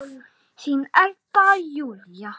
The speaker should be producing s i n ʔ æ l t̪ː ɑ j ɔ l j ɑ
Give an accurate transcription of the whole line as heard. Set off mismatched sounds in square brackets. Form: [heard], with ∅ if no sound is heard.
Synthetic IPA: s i n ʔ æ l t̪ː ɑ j [u] l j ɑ